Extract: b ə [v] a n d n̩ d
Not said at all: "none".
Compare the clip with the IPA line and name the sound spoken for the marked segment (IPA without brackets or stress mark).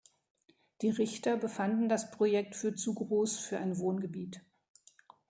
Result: f